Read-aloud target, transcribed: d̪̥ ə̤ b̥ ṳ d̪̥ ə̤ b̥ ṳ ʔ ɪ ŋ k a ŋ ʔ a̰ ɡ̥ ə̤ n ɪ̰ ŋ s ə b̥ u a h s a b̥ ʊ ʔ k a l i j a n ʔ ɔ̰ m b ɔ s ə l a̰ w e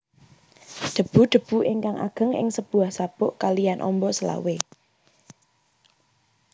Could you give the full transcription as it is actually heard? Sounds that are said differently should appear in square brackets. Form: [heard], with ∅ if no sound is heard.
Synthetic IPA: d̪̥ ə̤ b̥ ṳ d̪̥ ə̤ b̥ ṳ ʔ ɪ ŋ k a ŋ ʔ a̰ ɡ̥ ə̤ [ŋ] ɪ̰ ŋ s ə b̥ u a h s a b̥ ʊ ʔ k a l i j a n ʔ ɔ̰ m b ɔ s ə l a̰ w e